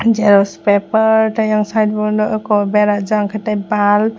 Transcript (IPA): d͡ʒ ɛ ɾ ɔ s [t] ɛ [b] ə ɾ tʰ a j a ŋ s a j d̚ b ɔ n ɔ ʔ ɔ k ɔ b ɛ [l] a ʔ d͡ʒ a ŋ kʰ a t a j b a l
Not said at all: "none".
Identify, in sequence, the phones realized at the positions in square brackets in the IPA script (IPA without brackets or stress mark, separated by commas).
p, p, ɾ